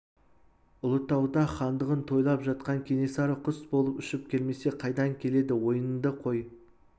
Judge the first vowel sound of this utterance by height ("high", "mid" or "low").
high